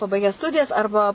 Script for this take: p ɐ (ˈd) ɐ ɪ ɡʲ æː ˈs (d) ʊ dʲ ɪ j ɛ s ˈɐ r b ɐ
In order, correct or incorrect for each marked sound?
incorrect, incorrect

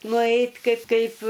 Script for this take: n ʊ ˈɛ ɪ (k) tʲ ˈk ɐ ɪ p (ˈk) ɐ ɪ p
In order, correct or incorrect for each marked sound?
incorrect, correct

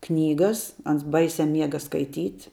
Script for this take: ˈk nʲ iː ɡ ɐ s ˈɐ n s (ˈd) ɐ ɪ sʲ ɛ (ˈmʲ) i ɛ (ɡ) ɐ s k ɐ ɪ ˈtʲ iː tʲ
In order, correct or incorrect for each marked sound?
incorrect, correct, correct

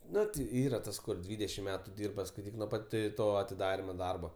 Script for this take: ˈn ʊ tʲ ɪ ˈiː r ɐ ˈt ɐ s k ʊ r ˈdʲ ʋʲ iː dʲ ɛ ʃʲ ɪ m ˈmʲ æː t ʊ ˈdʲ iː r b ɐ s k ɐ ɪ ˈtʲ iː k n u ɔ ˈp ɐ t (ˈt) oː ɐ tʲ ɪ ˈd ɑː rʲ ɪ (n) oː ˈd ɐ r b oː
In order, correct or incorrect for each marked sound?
correct, incorrect

